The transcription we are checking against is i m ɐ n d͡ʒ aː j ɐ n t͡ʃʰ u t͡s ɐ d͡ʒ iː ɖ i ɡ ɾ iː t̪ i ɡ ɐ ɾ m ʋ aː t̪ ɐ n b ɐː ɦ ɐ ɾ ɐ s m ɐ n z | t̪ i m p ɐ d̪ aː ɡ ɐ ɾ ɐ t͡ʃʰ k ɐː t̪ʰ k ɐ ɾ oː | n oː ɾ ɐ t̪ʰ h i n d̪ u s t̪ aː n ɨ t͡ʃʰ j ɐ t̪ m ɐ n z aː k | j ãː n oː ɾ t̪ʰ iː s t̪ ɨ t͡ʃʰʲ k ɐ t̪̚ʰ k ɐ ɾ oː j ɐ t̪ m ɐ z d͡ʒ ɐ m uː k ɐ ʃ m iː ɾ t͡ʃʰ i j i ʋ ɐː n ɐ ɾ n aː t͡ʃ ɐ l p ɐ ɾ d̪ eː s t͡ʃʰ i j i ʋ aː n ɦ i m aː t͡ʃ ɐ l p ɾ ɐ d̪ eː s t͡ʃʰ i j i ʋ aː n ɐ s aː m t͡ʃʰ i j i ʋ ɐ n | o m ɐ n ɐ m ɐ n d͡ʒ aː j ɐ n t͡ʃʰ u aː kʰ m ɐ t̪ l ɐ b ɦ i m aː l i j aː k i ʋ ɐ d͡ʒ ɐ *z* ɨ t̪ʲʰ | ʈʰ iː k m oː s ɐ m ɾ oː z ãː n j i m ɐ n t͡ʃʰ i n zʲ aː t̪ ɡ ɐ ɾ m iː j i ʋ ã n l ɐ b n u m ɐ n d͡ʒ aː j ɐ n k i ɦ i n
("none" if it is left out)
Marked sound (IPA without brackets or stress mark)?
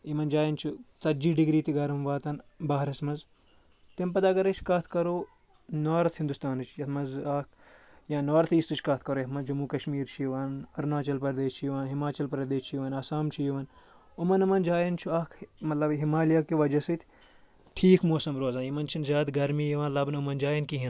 s